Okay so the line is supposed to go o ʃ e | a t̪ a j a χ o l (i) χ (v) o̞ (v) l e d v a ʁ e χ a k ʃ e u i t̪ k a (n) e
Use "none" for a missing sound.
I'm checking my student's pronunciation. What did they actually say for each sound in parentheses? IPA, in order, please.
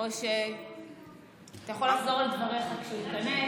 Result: a, z, ʁ, n

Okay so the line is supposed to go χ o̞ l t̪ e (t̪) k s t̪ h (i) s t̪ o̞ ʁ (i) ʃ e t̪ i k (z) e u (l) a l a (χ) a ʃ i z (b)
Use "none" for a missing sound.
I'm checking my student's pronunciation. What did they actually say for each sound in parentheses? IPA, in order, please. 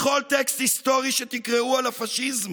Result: none, i, i, ʁ, none, f, m

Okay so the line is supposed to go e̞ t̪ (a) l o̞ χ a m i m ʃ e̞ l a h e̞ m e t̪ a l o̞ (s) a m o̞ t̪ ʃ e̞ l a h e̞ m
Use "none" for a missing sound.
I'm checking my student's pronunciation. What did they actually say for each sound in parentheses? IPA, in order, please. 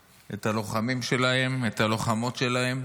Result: a, χ

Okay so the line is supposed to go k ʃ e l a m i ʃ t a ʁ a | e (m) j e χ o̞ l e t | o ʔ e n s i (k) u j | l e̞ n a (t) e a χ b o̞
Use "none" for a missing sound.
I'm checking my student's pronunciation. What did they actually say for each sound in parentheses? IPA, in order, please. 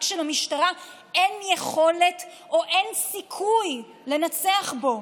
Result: n, kʰ, t͡s

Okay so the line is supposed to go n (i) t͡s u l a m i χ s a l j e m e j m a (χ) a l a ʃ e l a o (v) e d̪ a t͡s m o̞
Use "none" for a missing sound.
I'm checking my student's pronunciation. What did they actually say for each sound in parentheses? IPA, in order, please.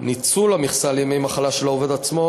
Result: i, χ, v

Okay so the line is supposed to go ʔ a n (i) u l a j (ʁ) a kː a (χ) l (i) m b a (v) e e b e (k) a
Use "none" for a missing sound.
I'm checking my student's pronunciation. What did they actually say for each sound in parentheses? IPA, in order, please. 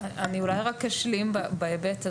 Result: i, ʁ, ʃ, i, b, t

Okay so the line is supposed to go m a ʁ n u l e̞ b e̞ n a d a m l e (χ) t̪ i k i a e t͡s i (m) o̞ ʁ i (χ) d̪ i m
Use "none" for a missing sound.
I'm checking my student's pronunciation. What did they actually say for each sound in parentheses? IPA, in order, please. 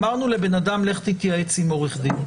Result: χ, m, χ

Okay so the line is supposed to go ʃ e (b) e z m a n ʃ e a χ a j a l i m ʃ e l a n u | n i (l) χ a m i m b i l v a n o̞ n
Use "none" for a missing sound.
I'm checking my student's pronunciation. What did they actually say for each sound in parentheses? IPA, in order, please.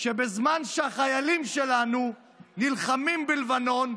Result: b, l

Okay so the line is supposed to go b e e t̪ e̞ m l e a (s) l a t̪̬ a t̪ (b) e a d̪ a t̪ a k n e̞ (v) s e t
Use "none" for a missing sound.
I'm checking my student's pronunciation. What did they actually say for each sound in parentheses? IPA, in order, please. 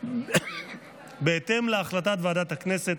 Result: χ, v, none

